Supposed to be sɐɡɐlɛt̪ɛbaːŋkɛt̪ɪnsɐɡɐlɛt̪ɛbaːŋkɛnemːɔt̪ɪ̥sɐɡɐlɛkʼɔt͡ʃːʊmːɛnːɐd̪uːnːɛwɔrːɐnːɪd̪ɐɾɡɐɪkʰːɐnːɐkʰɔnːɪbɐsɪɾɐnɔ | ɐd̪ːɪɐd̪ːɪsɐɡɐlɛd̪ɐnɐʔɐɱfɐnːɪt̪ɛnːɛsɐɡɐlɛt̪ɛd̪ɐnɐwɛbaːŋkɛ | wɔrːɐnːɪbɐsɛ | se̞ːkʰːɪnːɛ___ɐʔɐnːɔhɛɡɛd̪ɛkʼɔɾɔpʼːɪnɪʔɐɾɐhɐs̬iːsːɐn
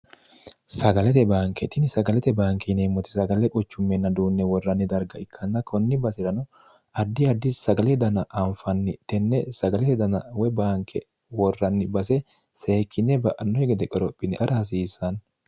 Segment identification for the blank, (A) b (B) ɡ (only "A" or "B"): A